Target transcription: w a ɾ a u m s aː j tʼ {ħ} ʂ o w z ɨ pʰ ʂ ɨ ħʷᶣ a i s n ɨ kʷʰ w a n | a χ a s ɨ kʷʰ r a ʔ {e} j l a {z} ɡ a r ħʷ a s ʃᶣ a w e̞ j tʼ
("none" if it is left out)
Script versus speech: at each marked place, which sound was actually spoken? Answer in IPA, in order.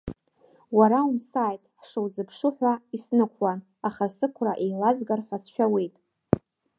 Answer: ħ, e, z

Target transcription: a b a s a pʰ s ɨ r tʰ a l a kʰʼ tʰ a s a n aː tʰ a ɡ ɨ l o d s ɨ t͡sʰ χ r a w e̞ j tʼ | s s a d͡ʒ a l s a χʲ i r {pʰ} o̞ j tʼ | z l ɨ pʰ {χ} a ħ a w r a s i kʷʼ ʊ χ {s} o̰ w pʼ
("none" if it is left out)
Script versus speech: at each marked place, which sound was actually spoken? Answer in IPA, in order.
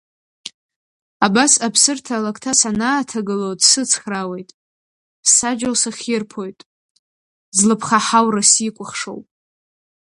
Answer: pʰ, χ, ʂ

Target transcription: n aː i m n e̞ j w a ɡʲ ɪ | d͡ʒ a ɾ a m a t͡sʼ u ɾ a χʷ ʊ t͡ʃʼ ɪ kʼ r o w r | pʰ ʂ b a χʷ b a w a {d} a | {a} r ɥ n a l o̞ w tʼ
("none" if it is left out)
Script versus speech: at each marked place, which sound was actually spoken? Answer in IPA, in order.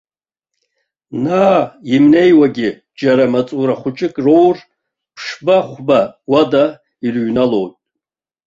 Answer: d, i

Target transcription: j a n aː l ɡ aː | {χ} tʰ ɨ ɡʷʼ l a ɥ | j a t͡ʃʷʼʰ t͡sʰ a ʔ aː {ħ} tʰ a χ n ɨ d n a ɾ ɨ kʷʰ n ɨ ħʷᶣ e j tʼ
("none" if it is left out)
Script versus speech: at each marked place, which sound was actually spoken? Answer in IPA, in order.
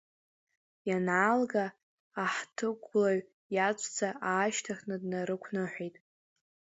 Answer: ħ, ʃ

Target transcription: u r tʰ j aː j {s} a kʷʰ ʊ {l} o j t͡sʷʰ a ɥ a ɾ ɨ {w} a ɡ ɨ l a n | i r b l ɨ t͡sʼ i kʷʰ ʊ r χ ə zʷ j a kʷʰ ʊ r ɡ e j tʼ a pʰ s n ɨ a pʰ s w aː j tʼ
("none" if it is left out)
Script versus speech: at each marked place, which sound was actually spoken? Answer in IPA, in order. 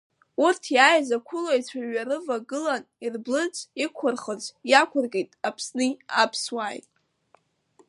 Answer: z, l, v

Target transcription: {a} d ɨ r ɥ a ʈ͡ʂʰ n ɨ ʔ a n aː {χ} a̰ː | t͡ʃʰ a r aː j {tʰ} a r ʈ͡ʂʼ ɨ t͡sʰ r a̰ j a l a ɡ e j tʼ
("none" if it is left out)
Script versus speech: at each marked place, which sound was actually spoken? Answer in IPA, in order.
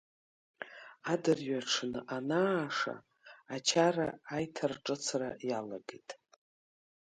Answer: a, ʂ, tʰ

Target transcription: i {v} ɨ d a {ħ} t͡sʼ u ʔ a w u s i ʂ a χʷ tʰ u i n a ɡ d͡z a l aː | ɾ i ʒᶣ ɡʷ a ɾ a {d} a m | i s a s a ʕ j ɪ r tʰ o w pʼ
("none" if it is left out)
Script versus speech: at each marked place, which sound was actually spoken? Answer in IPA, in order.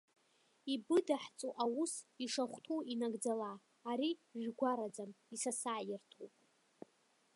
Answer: b, ħ, d͡z

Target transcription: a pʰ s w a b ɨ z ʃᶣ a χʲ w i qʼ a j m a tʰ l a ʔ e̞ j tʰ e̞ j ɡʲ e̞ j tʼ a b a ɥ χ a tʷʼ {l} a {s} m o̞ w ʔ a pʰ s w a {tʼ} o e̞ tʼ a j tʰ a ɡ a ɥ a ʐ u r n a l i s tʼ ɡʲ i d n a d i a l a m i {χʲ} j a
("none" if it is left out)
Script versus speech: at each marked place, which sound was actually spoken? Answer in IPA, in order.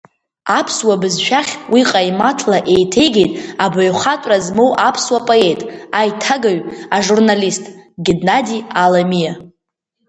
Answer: r, z, pʼ, none

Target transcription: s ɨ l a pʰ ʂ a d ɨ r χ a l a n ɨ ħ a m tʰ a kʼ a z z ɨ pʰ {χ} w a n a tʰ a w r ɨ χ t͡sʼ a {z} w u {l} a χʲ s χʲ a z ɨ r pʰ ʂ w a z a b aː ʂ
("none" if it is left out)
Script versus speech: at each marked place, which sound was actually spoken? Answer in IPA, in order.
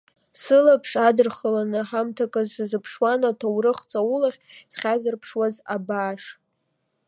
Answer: ʂ, none, l

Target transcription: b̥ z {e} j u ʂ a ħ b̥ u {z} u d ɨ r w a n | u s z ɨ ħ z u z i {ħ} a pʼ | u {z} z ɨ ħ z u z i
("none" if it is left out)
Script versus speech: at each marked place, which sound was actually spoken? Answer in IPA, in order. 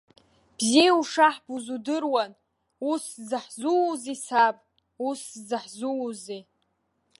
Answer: i, z, s, s

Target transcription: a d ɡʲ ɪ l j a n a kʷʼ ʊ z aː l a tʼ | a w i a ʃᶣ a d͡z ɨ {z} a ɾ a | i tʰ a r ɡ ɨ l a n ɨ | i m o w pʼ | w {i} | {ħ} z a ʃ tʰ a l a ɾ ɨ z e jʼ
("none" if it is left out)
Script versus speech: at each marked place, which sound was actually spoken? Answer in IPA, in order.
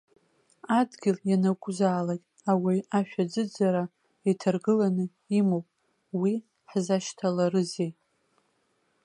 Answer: d͡z, i, ħ

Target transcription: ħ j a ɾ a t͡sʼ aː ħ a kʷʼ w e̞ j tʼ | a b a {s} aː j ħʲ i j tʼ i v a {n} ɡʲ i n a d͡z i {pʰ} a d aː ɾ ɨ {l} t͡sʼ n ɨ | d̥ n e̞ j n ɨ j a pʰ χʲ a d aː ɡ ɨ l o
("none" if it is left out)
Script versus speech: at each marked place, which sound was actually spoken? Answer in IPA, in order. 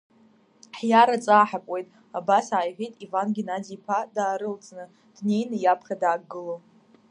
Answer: s, n, pʰ, l

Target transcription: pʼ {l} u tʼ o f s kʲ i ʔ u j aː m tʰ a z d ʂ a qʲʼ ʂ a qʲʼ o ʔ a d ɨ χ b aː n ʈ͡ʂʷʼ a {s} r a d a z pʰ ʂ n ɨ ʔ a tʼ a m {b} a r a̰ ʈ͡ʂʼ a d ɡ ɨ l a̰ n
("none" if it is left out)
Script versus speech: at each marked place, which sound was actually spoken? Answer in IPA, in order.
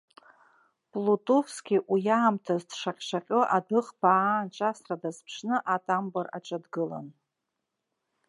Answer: l, s, b

